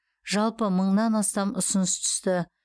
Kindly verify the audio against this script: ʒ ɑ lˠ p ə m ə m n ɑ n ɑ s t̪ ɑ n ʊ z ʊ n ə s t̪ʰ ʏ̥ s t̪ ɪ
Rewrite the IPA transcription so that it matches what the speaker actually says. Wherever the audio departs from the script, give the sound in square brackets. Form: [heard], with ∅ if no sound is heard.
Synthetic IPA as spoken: ʒ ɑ lˠ p ə m ə [ɴ] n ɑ n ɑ s t̪ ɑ [m] ʊ [s] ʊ n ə s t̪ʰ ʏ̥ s t̪ ɪ